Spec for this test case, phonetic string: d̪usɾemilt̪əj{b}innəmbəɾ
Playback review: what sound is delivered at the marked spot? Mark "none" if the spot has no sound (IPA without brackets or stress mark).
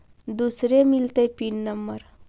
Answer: p